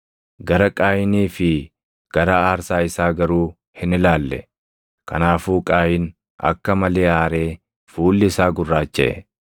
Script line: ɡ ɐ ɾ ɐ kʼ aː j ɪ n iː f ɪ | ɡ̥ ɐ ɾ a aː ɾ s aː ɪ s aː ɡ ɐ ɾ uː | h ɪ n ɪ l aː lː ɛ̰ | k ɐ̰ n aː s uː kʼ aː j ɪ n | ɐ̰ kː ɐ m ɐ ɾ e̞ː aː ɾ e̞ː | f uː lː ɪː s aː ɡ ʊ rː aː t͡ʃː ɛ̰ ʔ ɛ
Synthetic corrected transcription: ɡ ɐ ɾ ɐ kʼ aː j ɪ n iː f ɪ | ɡ̥ ɐ ɾ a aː ɾ s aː ɪ s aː ɡ ɐ ɾ uː | h ɪ n ɪ l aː lː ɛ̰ | k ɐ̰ n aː f uː kʼ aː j ɪ n | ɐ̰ kː ɐ m ɐ l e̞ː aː ɾ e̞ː | f uː lː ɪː s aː ɡ ʊ rː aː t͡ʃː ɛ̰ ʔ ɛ